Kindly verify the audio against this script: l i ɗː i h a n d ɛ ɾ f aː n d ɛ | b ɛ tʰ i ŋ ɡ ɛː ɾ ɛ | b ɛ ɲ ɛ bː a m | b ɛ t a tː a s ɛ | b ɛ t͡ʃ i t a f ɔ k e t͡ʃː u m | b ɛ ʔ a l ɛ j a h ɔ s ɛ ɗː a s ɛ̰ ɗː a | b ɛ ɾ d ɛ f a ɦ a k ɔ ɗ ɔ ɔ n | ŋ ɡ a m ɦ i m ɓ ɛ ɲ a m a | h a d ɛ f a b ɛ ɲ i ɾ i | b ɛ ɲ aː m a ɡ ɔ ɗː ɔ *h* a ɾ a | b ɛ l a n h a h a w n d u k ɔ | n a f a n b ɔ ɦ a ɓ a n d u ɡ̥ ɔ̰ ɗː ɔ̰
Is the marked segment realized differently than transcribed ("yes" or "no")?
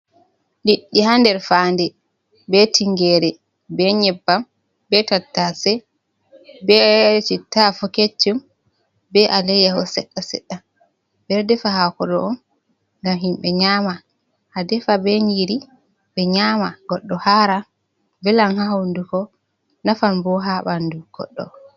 no